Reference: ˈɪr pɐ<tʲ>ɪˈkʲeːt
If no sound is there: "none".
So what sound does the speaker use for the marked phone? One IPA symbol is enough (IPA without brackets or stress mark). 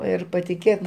tʲ